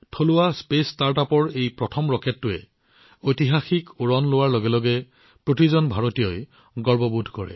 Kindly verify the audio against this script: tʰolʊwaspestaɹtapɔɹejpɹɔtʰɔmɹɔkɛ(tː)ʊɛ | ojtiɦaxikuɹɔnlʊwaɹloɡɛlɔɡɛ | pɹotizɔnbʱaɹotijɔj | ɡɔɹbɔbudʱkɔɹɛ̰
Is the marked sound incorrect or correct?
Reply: correct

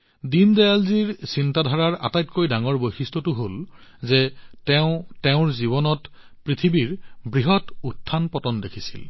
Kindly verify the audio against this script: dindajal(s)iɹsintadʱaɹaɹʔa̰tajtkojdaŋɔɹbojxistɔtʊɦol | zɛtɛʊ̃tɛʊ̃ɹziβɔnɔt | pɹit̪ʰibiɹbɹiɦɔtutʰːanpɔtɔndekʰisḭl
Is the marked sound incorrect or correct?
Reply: incorrect: z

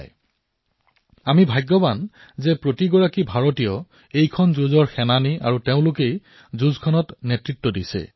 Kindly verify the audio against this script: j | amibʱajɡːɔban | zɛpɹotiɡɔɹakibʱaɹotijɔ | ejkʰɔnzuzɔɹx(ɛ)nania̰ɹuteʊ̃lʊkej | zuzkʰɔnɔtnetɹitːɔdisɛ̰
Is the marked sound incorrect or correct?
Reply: correct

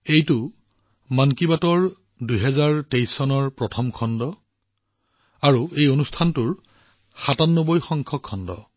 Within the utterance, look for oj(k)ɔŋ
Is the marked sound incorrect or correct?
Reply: incorrect: x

